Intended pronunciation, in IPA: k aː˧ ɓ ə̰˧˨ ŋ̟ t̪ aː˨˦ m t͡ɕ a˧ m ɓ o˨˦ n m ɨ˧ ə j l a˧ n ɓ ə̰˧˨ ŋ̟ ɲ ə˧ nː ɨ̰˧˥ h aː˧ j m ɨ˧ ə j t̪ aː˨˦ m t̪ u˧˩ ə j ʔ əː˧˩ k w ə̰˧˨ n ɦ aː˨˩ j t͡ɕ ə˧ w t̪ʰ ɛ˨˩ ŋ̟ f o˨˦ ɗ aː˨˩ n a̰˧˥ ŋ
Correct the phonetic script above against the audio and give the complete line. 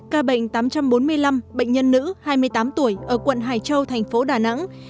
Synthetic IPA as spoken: k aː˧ ɓ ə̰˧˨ ŋ̟ t̪ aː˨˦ m t͡ɕ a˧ m ɓ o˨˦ n m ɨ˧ ə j l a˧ m ɓ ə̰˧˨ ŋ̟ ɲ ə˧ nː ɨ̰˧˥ h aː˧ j m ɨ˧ ə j t̪ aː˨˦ m t̪ u˧˩ ə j ʔ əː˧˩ k w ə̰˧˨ n ɦ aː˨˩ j t͡ɕ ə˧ w t̪ʰ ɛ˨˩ ŋ̟ f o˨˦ ɗ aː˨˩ n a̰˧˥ ŋ

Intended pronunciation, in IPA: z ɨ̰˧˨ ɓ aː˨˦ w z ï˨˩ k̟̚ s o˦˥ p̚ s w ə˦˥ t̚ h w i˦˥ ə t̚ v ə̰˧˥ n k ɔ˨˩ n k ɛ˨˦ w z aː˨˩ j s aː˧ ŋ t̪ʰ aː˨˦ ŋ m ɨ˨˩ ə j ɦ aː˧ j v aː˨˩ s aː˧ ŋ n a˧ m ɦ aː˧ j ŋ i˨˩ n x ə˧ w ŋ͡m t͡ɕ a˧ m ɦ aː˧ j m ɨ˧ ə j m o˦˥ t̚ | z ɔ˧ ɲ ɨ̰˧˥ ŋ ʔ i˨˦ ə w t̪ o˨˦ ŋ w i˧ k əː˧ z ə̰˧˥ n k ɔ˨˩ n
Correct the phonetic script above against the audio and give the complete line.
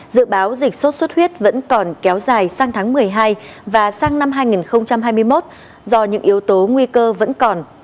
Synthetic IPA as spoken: z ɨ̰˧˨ ɓ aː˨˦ w z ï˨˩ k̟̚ s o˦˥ t̚ s w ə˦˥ t̚ h w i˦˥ ə t̚ v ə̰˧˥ n k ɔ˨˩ n k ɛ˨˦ w z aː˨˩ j s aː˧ ŋ t̪ʰ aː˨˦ ŋ m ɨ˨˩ ə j ɦ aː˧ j v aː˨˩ s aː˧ ŋ n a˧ m ɦ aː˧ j ŋ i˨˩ n x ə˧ w ŋ͡m t͡ɕ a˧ m ɦ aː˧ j m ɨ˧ ə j m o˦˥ t̚ | z ɔ˧ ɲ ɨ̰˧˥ ŋ ʔ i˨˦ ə w t̪ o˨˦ ŋ w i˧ k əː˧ v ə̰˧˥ n k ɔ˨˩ n

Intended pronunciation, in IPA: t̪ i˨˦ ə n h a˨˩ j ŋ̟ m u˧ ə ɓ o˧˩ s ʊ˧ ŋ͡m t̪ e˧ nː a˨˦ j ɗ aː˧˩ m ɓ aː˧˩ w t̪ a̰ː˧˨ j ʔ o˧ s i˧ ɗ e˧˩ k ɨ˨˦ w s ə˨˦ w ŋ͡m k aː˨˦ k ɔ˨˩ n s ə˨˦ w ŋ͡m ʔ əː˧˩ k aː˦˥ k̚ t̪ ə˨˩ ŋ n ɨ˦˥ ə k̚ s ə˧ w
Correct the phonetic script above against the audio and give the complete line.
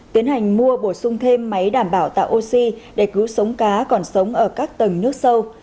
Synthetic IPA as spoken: t̪ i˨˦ ə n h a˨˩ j ŋ̟ m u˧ ə ɓ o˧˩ s ʊ˧ ŋ͡m t̪ʰ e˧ mː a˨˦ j ɗ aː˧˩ m ɓ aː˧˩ w t̪ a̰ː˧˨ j ʔ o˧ s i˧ ɗ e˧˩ k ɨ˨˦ w s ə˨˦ w ŋ͡m k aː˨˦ k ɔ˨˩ n s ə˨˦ w ŋ͡m ʔ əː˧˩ k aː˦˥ k̚ t̪ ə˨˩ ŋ n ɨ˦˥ ə k̚ s ə˧ w

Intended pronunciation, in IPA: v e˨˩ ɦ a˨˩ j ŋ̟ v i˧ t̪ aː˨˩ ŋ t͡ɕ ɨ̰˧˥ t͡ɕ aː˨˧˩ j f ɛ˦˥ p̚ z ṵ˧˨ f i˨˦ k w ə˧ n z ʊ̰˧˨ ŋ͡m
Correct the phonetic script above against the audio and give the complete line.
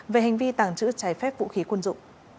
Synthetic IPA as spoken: v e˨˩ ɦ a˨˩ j ŋ̟ v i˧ t̪ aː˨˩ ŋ t͡ɕ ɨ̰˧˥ t͡ɕ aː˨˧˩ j f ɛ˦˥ p̚ v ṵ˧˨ x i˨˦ k w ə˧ n z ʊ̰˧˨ ŋ͡m

